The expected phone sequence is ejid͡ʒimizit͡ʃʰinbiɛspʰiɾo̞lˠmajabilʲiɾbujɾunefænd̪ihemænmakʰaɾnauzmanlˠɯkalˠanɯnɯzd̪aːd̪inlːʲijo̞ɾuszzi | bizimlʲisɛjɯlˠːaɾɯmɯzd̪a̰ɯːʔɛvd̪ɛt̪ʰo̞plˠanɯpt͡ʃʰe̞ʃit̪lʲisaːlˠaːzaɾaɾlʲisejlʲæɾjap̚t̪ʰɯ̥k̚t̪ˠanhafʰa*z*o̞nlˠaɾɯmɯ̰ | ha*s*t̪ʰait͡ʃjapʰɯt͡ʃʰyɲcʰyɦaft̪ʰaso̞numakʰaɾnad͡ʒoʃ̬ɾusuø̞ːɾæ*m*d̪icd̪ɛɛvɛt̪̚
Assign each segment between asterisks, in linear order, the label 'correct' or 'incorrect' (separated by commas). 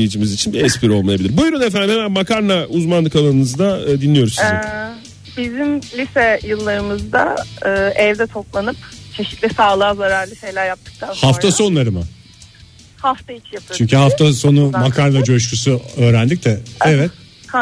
incorrect, incorrect, incorrect